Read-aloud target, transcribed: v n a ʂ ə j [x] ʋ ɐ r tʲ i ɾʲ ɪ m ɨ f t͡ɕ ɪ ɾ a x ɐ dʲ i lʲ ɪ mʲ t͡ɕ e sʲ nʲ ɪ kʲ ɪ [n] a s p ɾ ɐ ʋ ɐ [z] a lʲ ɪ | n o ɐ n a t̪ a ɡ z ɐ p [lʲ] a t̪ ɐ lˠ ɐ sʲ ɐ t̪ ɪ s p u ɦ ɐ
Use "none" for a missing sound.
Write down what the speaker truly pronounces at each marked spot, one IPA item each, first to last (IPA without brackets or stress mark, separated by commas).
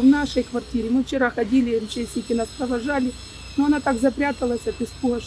k, n, ʐ, ɾʲ